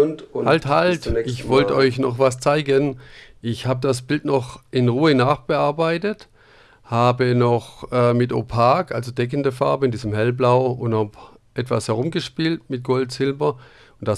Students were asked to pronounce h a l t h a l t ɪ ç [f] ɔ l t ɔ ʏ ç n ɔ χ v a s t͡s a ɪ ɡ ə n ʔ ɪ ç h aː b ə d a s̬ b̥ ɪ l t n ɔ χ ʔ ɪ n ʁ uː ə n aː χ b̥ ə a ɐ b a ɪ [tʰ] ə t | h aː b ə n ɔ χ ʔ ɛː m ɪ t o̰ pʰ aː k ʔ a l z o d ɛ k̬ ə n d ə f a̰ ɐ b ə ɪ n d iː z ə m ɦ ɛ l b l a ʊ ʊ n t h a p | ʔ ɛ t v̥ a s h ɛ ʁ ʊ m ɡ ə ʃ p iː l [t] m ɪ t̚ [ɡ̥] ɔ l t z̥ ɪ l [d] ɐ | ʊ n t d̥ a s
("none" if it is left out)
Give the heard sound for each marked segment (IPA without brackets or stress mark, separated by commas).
v, t, t, ɡ̥, b